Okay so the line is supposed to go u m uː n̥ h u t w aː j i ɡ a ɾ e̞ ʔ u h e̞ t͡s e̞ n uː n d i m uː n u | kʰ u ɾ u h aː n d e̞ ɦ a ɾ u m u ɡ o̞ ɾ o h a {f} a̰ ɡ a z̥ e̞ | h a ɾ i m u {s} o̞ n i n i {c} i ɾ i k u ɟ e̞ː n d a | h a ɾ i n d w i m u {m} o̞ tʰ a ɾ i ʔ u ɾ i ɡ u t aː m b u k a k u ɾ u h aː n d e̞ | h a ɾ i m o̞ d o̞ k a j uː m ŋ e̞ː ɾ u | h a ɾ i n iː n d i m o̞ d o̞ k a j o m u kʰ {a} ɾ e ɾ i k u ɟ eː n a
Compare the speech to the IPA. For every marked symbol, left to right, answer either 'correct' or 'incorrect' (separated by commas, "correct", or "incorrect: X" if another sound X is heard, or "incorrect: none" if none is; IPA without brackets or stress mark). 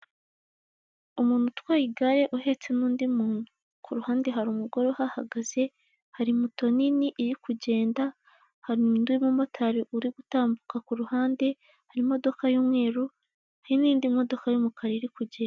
incorrect: h, incorrect: t, incorrect: ʔ, correct, correct